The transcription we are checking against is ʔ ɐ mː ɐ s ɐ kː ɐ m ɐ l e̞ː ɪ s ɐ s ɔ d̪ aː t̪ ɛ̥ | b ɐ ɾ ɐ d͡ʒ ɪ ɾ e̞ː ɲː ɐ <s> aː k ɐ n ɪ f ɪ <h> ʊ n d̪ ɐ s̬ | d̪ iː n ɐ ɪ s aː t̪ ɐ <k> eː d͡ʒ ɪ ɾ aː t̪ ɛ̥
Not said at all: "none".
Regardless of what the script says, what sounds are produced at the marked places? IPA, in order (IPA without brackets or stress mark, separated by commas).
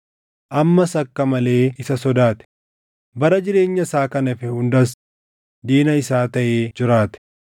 s, h, ʔ